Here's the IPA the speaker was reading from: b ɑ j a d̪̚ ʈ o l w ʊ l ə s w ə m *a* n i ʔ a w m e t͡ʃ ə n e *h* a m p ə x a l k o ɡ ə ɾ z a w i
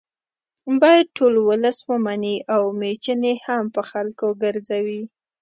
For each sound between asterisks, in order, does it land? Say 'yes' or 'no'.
yes, yes

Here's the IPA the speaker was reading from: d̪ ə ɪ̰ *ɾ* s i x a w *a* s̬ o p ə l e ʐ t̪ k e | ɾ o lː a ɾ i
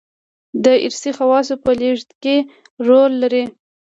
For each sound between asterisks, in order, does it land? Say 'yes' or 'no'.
yes, no

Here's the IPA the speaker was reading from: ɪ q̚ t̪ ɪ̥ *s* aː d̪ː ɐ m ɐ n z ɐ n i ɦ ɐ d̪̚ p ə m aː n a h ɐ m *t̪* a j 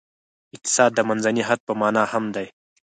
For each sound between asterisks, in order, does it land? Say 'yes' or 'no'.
yes, no

